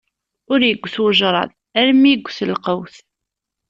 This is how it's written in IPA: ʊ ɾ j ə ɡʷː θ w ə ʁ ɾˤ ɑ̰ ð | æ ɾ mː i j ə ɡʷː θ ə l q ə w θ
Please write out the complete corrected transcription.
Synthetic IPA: ʊ ɾ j ə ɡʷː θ w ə ʒ ɾˤ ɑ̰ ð | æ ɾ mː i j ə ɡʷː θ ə l q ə w θ

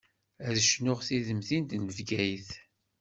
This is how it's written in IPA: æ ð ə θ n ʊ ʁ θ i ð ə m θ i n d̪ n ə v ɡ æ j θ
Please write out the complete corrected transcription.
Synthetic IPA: æ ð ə ʃ n ʊ ʁ θ i ð ə m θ i n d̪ n ə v ɡ æ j θ

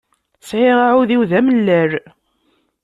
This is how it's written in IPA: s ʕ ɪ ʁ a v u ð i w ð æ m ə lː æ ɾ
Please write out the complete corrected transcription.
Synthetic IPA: s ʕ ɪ ʁ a ʕ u ð i w ð æ m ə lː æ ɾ

